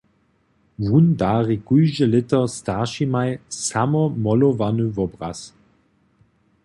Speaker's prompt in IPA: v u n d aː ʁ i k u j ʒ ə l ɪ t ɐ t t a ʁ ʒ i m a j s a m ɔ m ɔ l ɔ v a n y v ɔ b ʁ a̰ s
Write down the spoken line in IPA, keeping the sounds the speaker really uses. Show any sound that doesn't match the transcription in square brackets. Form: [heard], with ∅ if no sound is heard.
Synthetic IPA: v u n d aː ʁ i k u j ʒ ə l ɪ t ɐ [s] t a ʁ [ʃ] i m a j s a m ɔ m ɔ l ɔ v a n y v ɔ b ʁ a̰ s